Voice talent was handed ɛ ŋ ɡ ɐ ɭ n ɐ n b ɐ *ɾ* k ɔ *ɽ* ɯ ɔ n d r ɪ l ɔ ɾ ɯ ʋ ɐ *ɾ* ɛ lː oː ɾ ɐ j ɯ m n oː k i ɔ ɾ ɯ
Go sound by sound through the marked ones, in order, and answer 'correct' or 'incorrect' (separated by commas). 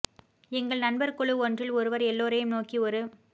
correct, incorrect, correct